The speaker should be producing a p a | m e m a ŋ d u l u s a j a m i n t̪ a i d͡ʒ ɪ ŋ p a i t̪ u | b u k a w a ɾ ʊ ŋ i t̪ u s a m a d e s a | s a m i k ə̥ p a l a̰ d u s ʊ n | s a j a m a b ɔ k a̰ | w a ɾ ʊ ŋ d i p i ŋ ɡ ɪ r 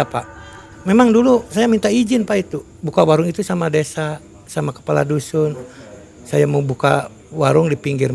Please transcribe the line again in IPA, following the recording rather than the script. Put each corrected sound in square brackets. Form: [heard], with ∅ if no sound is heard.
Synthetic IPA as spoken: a p a | m e m a ŋ d u l u s a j a m i n t̪ a i d͡ʒ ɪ [n] p a i t̪ u | b u k a w a ɾ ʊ ŋ i t̪ u s a m a d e s a | s a m [a] k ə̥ p a l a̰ d u s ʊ n | s a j a m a b [u] k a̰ | w a ɾ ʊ ŋ d i p i ŋ ɡ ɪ r